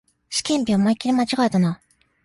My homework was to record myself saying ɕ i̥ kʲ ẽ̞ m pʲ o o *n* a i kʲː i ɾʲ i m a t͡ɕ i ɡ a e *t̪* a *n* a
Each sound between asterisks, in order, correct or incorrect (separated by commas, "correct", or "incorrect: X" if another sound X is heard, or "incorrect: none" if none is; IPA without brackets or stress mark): incorrect: m, correct, correct